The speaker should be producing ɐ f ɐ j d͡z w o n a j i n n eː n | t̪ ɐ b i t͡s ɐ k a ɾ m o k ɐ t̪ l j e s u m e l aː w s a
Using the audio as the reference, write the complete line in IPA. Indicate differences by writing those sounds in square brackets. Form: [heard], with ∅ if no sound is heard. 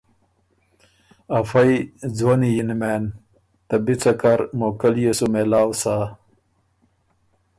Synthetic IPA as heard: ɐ f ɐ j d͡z w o n [i] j i n [m] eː n | t̪ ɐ b i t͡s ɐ k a ɾ m o k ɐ [∅] l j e s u m e l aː w s a